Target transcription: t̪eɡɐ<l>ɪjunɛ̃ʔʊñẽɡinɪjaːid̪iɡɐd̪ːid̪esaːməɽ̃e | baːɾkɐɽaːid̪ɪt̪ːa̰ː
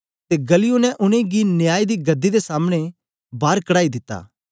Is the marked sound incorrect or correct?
correct